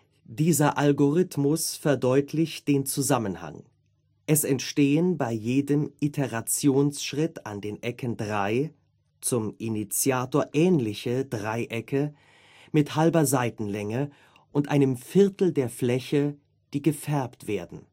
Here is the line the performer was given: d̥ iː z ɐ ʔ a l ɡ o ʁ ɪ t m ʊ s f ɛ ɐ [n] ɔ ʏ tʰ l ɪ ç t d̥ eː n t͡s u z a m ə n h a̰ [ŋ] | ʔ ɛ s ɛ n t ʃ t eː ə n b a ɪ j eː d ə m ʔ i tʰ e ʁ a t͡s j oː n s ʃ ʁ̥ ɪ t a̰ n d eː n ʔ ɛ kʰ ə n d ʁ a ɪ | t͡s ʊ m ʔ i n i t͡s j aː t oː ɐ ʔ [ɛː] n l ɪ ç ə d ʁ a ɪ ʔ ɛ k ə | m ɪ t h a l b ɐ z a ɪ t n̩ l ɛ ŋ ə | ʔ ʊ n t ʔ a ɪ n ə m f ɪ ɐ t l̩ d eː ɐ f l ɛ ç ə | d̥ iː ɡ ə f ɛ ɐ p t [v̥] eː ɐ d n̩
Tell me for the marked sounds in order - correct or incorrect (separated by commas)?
incorrect, correct, correct, correct